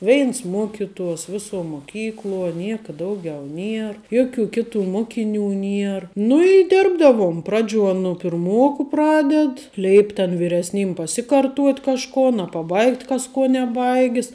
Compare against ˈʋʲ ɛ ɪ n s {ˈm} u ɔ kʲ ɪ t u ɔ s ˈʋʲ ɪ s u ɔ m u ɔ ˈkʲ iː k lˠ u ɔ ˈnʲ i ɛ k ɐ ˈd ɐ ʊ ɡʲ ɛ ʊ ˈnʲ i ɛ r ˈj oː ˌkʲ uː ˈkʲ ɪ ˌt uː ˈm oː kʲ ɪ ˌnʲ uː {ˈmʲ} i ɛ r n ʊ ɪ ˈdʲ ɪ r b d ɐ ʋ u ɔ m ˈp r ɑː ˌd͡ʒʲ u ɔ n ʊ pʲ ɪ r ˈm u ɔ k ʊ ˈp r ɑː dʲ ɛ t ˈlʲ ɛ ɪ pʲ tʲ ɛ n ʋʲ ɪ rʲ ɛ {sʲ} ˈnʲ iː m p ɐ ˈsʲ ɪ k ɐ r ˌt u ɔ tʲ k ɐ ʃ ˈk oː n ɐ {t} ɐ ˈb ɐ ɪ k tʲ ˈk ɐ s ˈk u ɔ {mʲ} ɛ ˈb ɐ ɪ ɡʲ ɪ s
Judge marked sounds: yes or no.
yes, no, yes, no, no

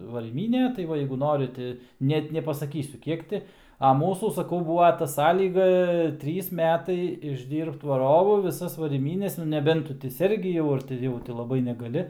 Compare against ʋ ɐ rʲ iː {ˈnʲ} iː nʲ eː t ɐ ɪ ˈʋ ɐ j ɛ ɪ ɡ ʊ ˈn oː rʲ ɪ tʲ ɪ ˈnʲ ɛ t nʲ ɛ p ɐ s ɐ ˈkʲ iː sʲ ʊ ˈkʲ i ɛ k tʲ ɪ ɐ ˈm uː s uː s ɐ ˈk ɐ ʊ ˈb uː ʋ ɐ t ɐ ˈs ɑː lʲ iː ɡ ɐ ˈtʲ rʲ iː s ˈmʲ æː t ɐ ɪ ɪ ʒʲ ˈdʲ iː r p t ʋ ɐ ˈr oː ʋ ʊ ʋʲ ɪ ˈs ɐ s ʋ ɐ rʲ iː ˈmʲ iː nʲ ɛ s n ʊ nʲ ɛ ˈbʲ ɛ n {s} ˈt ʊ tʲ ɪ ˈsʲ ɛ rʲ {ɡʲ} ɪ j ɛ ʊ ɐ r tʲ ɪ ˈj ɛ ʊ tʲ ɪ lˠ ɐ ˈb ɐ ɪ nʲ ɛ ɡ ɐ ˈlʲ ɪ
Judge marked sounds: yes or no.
no, no, yes

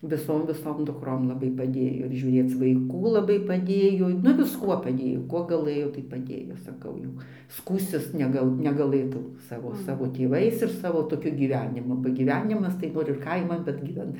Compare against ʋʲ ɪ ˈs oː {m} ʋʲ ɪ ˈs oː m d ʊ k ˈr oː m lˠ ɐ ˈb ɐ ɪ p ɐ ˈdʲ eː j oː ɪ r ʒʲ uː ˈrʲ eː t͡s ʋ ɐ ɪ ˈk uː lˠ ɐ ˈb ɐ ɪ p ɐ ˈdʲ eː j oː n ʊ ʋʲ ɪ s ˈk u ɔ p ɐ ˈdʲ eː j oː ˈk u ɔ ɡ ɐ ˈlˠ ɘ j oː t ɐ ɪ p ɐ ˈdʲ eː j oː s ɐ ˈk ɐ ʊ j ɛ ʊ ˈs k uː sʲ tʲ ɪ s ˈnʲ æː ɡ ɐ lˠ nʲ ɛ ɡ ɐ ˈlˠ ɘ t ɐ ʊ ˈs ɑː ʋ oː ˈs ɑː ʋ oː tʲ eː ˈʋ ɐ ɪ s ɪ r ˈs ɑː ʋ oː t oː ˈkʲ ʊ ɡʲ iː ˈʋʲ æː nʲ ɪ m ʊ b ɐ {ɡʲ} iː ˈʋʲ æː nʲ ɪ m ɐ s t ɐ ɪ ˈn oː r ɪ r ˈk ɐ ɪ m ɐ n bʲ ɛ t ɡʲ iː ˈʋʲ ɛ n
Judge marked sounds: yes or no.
yes, yes

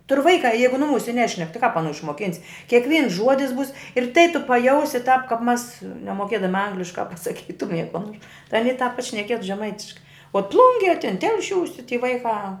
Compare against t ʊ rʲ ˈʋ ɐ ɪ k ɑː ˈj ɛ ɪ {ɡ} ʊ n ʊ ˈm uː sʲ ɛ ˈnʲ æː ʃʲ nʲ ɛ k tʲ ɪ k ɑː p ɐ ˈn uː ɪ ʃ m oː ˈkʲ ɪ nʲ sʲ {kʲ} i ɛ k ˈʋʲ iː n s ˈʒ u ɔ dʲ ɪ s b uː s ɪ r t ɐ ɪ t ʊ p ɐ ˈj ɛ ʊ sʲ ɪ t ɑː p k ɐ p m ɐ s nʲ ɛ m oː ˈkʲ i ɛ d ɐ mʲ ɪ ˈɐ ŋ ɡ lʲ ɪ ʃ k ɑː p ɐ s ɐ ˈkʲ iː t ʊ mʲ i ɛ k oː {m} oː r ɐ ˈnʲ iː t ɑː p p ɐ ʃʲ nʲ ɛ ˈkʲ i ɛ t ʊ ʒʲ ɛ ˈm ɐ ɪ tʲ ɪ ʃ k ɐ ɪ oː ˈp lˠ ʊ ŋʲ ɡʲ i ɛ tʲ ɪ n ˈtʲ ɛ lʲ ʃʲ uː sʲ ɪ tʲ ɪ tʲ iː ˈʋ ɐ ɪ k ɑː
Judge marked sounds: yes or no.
yes, yes, no

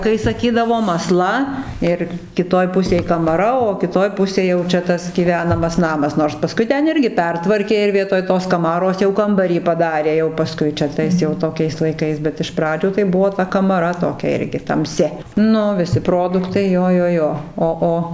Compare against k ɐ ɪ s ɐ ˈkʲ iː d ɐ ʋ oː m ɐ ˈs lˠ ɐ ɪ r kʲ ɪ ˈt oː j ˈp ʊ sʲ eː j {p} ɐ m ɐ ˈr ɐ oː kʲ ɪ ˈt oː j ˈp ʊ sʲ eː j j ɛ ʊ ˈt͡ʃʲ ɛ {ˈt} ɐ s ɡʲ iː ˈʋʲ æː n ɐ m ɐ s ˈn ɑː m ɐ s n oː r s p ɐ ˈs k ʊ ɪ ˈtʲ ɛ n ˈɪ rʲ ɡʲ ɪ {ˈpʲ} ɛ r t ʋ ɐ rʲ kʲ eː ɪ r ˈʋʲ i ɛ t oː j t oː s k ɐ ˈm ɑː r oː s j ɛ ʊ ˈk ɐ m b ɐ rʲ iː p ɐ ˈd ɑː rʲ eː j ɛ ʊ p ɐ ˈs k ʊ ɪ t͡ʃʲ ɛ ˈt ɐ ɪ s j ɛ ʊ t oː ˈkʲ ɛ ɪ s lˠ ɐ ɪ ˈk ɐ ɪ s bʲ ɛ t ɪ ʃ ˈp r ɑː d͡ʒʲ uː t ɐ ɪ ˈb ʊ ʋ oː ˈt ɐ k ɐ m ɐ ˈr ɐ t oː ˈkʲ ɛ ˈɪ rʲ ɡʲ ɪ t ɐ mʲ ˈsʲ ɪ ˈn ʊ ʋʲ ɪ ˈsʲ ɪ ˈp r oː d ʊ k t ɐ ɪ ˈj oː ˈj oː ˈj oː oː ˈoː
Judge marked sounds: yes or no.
no, yes, yes

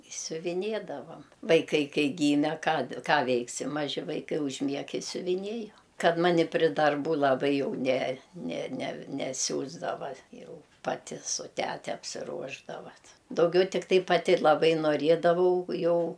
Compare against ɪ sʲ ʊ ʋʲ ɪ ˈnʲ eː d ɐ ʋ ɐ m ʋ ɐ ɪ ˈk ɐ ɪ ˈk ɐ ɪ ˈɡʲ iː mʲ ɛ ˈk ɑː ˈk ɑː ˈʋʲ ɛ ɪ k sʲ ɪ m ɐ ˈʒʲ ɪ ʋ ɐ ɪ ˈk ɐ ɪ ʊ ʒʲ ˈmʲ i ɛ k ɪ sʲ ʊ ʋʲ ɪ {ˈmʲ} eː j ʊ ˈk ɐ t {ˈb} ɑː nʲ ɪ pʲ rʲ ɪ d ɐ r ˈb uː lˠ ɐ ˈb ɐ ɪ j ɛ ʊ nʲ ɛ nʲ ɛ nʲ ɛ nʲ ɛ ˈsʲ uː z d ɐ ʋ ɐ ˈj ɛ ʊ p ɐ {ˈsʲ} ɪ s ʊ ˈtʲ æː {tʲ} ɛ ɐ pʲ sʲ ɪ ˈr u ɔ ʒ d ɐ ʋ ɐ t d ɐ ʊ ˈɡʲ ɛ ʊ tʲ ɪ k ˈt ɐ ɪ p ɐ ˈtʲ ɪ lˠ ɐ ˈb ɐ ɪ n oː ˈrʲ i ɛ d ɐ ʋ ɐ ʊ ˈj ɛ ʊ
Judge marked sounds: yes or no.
no, no, no, yes

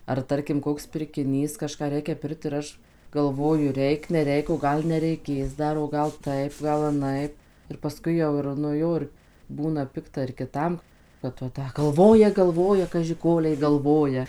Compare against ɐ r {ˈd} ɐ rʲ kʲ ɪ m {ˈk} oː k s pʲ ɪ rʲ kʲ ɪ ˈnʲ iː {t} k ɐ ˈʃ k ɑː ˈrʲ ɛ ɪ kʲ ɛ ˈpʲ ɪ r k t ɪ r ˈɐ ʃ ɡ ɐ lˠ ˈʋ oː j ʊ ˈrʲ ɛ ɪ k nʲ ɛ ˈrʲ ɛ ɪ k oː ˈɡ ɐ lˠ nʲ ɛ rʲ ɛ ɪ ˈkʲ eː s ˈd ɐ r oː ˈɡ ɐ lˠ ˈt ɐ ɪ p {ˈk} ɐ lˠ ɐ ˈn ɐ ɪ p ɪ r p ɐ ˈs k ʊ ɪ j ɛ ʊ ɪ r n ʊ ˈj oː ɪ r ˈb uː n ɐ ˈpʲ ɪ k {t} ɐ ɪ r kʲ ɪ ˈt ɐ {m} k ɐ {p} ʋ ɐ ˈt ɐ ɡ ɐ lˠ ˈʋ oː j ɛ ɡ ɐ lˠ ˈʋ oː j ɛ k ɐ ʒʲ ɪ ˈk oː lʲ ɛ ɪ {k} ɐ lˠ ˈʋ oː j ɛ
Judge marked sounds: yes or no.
no, yes, no, no, yes, yes, no, no

